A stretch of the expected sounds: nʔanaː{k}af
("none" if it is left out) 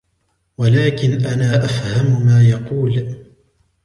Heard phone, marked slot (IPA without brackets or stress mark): ʔ